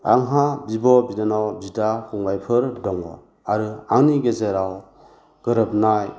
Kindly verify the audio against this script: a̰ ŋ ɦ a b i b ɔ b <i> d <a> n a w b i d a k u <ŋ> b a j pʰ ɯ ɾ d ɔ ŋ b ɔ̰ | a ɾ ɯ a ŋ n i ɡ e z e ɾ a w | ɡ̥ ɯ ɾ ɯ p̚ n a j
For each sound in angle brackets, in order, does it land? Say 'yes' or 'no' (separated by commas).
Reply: yes, yes, yes